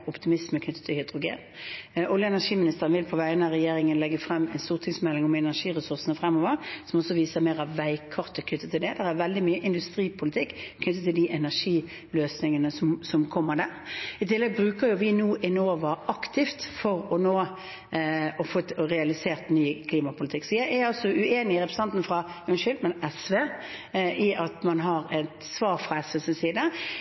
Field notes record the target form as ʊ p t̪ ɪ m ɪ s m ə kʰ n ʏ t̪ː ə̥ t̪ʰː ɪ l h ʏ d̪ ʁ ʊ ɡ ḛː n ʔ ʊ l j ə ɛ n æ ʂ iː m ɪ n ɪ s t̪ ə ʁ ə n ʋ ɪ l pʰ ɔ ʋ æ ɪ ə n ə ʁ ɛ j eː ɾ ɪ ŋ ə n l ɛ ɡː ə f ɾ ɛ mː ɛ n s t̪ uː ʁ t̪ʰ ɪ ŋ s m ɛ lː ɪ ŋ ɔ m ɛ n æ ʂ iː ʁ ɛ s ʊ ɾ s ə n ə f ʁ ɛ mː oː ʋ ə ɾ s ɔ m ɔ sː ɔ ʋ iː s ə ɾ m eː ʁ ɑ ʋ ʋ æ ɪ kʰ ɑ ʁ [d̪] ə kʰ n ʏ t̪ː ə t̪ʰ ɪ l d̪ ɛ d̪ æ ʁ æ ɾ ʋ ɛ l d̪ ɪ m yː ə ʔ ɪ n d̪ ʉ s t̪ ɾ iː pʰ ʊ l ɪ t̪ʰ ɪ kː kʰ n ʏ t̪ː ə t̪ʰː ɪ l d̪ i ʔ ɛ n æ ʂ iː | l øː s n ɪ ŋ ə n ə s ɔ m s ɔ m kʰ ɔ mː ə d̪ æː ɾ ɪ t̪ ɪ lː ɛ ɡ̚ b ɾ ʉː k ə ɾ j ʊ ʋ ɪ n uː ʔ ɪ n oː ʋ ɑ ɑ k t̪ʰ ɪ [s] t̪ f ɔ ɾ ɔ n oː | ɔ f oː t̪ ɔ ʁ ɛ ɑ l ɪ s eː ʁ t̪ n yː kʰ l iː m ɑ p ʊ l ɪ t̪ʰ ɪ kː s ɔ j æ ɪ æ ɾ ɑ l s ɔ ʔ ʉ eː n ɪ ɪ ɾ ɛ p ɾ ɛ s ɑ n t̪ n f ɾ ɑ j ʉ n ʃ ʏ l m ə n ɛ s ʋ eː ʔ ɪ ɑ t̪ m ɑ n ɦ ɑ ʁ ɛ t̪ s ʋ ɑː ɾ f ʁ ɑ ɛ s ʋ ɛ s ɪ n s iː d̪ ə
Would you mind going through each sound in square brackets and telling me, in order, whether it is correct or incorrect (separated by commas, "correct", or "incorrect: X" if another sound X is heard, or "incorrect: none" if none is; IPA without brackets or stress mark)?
incorrect: t̪, incorrect: f